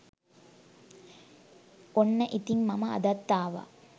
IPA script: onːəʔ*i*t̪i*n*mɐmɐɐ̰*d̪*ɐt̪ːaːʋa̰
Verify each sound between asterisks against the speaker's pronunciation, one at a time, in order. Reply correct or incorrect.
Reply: correct, incorrect, correct

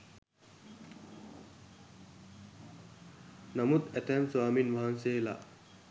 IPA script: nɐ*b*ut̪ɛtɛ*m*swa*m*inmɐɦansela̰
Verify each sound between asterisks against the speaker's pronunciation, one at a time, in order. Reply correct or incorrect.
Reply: incorrect, correct, correct

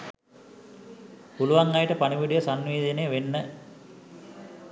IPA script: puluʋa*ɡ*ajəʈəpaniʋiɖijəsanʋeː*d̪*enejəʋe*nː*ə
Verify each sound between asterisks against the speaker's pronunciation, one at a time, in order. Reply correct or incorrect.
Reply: incorrect, correct, correct

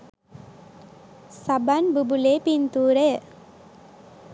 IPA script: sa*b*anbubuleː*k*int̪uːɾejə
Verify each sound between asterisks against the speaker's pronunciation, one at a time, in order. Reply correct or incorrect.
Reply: correct, incorrect

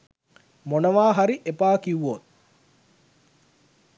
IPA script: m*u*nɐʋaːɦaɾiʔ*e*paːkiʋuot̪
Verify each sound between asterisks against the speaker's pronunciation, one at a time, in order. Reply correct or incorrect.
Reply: incorrect, correct

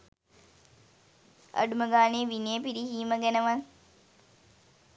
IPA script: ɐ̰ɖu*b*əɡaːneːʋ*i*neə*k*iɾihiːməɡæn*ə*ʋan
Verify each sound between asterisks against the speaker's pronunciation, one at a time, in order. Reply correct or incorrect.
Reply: incorrect, correct, incorrect, correct

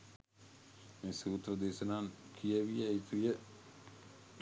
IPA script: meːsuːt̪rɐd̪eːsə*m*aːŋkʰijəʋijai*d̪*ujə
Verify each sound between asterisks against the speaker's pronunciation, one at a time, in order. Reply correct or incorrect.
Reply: incorrect, incorrect

